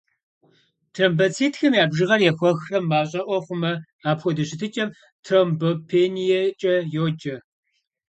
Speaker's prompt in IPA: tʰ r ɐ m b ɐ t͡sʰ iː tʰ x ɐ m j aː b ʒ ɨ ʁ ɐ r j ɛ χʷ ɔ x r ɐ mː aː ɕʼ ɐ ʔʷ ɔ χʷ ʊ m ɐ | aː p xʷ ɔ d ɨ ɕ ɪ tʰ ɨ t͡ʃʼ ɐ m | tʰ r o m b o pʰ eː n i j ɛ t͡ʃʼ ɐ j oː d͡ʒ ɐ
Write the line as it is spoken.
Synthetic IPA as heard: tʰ r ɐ m b ɐ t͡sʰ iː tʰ x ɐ m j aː b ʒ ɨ ʁ ɐ r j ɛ xʷ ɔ x r ɐ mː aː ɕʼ ɐ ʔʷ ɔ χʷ ʊ m ɐ | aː p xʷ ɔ d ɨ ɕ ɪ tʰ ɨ t͡ʃʼ ɐ m | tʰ r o m b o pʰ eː n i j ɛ t͡ʃʼ ɐ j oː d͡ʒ ɐ